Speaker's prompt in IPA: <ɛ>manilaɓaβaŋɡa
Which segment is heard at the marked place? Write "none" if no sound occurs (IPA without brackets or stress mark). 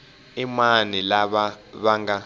i